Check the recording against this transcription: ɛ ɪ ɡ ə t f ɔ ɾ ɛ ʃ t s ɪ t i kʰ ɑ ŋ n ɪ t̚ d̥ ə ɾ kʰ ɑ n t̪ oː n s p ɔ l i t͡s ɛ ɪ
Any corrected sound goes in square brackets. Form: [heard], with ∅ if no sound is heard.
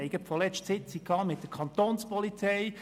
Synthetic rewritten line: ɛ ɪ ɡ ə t f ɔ [l] ɛ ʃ t s ɪ [t͡s] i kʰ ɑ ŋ [m] ɪ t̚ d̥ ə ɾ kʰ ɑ n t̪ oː n s p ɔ l i t͡s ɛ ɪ